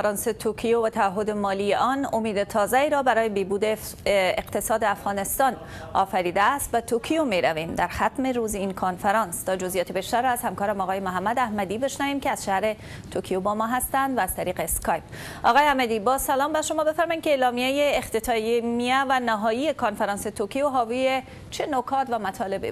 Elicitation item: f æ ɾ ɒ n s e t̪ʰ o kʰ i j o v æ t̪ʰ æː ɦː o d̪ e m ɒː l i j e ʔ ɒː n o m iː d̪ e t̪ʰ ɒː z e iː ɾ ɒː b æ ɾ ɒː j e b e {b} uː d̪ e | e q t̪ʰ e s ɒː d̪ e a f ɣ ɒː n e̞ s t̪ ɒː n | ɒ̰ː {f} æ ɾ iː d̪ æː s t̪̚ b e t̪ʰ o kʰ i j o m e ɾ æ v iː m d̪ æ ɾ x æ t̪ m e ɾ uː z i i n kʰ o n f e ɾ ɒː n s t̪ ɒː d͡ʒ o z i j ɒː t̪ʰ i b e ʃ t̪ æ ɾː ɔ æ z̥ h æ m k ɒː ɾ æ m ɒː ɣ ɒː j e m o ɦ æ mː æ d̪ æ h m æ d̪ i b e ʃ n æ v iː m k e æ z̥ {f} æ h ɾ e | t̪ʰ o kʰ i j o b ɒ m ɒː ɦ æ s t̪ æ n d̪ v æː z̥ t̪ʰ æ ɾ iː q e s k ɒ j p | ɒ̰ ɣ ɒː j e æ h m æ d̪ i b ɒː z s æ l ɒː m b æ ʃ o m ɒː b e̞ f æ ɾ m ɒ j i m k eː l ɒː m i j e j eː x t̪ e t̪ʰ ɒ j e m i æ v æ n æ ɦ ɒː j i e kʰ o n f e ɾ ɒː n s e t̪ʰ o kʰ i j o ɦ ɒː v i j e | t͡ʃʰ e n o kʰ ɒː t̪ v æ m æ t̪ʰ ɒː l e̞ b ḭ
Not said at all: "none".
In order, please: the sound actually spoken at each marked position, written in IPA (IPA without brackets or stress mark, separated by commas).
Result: b, f, ʃ